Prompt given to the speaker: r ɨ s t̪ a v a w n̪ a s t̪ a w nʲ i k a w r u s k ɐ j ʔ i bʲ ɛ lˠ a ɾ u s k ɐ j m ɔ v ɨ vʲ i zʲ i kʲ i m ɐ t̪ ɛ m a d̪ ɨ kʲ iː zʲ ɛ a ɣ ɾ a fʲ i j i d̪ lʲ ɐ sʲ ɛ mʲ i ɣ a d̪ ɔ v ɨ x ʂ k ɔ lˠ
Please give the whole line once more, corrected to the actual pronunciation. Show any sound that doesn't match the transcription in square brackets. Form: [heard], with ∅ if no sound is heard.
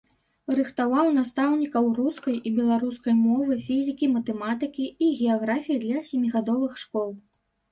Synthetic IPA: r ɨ [x] t̪ a v a w n̪ a s t̪ a w nʲ i k [ɐ] w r u s k ɐ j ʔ i bʲ ɛ lˠ a ɾ u s k ɐ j m ɔ v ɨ [fʲ] i zʲ i kʲ i m ɐ t̪ ɛ m a [t̪] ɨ kʲ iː [ɣʲ] ɛ a ɣ ɾ a fʲ i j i d̪ lʲ ɐ sʲ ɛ mʲ i ɣ a d̪ ɔ v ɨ x ʂ k ɔ lˠ